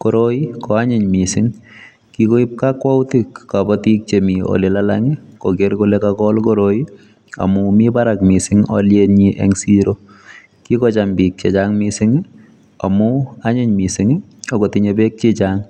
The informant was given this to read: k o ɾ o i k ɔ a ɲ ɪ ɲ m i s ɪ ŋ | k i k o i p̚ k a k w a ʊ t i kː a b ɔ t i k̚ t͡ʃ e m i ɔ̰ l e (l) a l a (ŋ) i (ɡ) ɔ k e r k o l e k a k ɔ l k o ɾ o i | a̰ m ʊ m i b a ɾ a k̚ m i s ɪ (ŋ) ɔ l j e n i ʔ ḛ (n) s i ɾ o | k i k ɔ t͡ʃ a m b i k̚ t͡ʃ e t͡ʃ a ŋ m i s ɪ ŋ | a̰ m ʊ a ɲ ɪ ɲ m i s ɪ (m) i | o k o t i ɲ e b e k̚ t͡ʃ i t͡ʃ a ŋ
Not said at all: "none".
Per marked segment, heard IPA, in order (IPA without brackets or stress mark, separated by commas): l, ŋ, k, ŋ, ŋ, ŋ